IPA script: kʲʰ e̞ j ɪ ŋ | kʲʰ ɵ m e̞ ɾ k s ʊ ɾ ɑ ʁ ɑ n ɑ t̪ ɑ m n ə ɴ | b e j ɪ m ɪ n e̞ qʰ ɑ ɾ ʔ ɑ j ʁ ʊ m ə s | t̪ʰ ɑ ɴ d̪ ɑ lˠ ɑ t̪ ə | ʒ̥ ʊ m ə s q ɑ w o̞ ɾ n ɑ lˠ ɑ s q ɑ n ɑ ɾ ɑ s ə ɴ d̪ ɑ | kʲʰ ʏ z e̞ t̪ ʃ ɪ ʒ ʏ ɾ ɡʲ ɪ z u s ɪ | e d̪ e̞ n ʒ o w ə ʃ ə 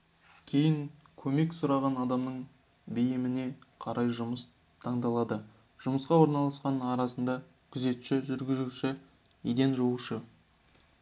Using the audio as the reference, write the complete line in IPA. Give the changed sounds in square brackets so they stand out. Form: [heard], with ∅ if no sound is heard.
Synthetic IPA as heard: kʲʰ e̞ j ɪ ŋ | kʲʰ ɵ m e̞ [∅] k s ʊ ɾ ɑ ʁ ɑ n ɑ [d̪] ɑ m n ə ɴ | b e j ɪ m ɪ n e̞ qʰ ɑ ɾ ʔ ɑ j [ʒ] ʊ m ə s | t̪ʰ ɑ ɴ d̪ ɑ lˠ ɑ [d̪] ə | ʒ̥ ʊ m ə s q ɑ w o̞ ɾ n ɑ lˠ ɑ s q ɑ n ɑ ɾ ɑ s ə [n] d̪ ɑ | kʲʰ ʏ z e̞ t̪ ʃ ɪ ʒ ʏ ɾ ɡʲ ɪ z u [ʃ] ɪ | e d̪ e̞ n ʒ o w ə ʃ ə